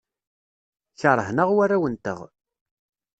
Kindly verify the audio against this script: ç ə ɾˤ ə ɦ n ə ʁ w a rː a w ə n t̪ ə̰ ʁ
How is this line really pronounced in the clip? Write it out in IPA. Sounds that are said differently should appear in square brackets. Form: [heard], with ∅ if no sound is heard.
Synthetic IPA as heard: ç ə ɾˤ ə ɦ n ə ʁ w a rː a w ə n t̪ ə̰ ʁ

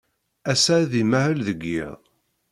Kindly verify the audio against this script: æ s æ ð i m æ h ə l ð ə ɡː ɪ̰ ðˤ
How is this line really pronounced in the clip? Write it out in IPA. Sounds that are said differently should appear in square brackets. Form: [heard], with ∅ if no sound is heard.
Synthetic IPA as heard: æ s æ ð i m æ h ə l ð ə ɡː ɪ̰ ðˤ

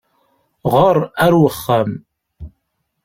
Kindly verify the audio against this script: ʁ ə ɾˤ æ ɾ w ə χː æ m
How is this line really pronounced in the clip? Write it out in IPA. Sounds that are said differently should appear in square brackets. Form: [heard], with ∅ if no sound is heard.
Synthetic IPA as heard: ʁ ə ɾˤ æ ɾ w ə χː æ m

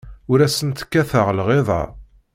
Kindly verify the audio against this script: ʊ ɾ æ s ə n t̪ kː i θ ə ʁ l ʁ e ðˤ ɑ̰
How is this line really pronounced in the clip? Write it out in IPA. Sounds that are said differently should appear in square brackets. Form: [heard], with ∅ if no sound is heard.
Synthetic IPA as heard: ʊ ɾ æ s ə n t̪ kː [æ] θ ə ʁ l ʁ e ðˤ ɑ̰

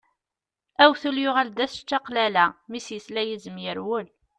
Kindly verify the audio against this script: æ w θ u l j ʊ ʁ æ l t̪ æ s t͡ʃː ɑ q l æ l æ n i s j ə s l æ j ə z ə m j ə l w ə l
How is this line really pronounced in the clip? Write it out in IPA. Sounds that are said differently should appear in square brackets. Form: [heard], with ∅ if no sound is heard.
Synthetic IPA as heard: æ w θ u l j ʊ ʁ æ l [d̪] æ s t͡ʃː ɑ q l æ l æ [m] i s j ə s l æ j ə z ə m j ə [ɾ] w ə l

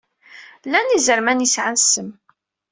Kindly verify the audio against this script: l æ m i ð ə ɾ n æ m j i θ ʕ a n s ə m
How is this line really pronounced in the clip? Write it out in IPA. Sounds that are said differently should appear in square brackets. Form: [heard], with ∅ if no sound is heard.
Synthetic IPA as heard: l æ [n] i [z] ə ɾ [m] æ [n] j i [s] ʕ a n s ə m

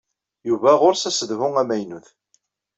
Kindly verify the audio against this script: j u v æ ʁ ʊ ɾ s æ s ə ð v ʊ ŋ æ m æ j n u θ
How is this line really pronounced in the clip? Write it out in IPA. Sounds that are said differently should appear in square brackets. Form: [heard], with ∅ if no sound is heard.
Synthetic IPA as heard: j u v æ ʁ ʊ ɾ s æ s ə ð v ʊ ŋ æ m æ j n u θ

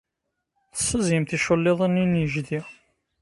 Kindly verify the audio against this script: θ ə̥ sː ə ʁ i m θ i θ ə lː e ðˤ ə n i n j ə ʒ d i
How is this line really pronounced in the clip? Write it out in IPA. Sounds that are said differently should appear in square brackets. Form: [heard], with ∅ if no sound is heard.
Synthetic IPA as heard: θ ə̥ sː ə [z] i m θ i [ʃ] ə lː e ðˤ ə n i n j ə ʒ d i

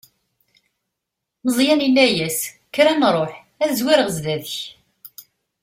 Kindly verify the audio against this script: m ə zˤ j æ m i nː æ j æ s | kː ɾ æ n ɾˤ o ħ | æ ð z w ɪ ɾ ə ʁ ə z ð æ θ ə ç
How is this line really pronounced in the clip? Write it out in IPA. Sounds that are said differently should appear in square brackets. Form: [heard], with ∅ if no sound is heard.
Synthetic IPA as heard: m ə zˤ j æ [n] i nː æ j æ s | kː ɾ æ n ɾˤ o ħ | æ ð z w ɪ ɾ ə ʁ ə z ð æ [ð] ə ç

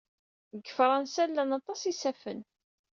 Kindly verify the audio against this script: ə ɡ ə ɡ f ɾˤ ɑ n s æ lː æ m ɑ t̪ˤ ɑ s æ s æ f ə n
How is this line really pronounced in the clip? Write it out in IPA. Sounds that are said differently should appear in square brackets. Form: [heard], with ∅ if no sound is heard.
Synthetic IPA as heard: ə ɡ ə [∅] f ɾˤ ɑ n s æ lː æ [n] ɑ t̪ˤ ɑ s [i] s æ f ə n

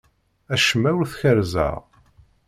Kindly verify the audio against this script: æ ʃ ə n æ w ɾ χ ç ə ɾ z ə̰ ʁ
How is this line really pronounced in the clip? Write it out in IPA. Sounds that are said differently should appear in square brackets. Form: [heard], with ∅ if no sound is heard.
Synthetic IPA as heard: æ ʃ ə [m] æ w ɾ [θ] ç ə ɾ z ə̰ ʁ

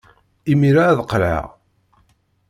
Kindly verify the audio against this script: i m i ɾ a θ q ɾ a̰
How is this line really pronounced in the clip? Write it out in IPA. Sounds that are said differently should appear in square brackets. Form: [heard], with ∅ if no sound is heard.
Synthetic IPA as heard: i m i ɾ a [ð] q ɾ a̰

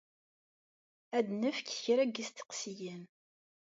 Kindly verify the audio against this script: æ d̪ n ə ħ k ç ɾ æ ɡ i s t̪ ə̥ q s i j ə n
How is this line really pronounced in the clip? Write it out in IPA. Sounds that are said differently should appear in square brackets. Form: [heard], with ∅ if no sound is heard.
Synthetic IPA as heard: æ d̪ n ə [f] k ç ɾ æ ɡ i s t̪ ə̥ q s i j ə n

